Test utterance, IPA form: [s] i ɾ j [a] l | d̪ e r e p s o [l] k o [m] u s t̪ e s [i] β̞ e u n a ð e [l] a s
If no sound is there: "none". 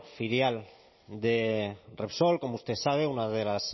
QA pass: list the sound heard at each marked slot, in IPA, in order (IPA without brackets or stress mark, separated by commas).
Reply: f, a, l, m, a, l